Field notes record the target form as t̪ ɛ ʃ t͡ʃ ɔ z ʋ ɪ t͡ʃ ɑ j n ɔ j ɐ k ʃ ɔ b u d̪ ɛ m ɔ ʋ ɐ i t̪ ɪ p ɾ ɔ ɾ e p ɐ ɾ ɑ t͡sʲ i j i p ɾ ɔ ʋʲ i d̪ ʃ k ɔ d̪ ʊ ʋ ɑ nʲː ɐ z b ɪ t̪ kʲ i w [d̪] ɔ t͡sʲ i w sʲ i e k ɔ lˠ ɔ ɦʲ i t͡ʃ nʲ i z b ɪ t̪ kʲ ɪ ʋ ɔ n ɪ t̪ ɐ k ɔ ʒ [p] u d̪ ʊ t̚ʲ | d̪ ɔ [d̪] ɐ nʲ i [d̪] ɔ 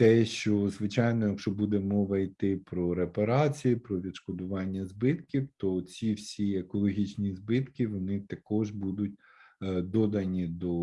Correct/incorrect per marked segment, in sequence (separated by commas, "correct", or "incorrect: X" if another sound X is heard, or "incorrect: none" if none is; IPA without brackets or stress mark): incorrect: t̪, incorrect: b, correct, correct